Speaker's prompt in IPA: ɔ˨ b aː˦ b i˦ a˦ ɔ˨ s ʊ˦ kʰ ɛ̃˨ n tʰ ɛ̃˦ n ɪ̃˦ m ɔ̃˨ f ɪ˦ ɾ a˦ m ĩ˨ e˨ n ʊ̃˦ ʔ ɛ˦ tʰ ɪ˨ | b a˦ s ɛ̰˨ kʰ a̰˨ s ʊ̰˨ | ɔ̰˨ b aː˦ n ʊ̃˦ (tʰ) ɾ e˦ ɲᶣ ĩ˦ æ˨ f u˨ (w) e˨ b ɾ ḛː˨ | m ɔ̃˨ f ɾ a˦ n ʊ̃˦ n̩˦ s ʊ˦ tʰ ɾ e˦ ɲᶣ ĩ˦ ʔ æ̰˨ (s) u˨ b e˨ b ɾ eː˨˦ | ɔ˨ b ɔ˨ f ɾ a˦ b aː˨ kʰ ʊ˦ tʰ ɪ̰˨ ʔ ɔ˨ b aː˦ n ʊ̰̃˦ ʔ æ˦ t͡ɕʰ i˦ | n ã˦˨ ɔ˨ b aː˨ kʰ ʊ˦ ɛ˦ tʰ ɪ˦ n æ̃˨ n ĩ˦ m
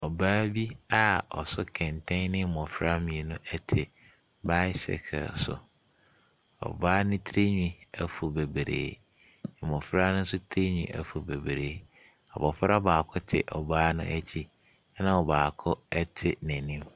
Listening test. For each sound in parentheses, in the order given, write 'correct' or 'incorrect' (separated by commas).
correct, incorrect, incorrect